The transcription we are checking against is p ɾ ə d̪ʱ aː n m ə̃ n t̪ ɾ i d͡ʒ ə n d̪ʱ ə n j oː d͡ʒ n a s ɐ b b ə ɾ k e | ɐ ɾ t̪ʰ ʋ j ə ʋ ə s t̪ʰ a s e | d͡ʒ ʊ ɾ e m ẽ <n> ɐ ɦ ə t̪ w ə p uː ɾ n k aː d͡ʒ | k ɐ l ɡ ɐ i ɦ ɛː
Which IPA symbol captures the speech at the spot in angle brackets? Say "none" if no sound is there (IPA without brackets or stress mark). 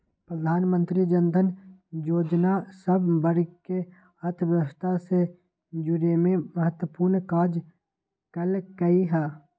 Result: m